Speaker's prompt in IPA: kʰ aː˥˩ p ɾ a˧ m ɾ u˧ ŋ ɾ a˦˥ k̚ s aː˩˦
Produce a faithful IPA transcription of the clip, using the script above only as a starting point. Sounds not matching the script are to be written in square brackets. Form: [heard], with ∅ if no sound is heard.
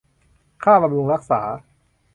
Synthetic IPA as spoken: kʰ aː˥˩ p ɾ a˧ m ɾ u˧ ŋ ɾ a˦˥ k̚ s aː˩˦